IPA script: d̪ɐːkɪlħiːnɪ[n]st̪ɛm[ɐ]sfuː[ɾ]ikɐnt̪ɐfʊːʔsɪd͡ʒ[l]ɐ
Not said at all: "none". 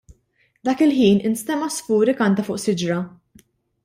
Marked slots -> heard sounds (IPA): n, ɐ, ɾ, ɾ

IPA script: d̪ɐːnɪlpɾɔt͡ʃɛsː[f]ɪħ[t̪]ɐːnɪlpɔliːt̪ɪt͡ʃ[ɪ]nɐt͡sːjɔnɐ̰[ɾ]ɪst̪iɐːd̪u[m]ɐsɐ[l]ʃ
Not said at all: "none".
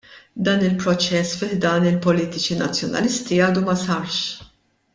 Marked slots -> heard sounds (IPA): f, d̪, i, l, m, ɾ

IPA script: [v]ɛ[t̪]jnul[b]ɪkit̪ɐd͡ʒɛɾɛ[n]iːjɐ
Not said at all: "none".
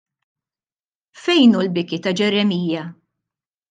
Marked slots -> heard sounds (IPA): f, none, b, m

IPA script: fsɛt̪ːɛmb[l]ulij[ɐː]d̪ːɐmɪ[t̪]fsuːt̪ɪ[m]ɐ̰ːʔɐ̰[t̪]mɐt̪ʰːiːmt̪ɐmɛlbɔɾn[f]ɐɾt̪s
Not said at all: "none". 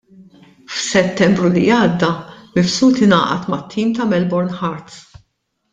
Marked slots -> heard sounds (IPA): ɾ, ɐː, none, n, t̪, ħ

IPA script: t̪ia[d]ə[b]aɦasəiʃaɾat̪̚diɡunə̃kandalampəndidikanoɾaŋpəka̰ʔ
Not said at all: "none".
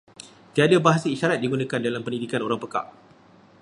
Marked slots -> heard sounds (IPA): d, b

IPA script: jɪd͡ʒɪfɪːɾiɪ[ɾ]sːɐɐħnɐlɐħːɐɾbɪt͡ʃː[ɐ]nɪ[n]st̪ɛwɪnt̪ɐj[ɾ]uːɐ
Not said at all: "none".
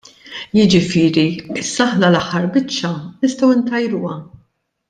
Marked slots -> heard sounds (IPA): none, ɐ, none, ɾ

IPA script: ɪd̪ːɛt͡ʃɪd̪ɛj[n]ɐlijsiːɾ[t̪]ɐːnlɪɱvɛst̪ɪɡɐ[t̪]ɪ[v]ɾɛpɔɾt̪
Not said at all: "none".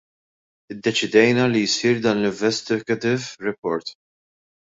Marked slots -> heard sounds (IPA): n, d̪, t̪, v

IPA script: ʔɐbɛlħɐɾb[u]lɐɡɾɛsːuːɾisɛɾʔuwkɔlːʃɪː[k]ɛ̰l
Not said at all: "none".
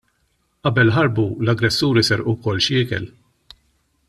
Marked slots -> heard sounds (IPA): u, k

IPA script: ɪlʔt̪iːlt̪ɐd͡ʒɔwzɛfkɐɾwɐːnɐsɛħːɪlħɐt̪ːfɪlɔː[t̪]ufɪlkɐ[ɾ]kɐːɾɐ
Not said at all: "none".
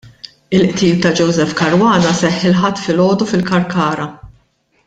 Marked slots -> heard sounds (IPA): d̪, ɾ

